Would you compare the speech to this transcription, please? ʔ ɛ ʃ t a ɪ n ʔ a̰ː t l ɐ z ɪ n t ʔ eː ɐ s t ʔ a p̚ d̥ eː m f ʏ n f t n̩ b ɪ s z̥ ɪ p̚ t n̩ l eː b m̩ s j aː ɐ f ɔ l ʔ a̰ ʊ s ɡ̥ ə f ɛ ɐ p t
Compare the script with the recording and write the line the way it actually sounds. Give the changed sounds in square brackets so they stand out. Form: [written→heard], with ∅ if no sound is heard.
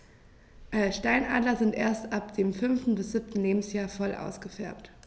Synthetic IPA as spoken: ʔ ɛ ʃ t a ɪ n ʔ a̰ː [t→d] l ɐ z ɪ n t ʔ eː ɐ s t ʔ a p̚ d̥ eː m f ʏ n f t n̩ b ɪ s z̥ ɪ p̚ t n̩ l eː b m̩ s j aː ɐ f ɔ l ʔ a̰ ʊ s ɡ̥ ə f ɛ ɐ p t